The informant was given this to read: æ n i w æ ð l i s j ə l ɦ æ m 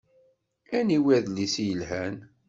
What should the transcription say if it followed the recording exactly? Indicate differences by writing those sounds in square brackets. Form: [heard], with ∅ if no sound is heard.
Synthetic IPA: æ n i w æ ð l i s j ə l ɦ æ [n]